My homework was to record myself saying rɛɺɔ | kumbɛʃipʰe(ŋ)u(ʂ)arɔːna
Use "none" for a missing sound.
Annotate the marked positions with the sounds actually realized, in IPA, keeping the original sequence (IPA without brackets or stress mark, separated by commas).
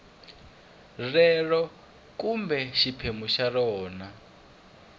m, ʃ